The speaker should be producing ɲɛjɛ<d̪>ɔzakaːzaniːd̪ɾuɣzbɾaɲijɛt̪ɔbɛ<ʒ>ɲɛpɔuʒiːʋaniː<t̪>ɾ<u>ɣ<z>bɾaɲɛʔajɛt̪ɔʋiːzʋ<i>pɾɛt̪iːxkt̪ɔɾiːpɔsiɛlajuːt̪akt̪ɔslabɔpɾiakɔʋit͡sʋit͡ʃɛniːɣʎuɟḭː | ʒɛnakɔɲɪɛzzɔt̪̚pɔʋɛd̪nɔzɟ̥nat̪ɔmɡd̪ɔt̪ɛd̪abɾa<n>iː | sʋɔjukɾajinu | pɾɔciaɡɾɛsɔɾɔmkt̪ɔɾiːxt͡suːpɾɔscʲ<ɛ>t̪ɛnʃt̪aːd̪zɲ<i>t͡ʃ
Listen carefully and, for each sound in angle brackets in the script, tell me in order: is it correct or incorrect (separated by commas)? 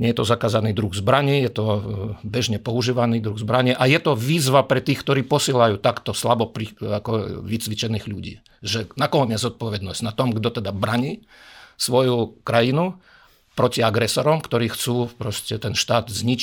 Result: incorrect, correct, incorrect, correct, correct, incorrect, incorrect, correct, correct